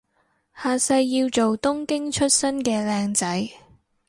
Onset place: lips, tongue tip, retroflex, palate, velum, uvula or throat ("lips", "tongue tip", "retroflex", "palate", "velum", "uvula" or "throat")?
throat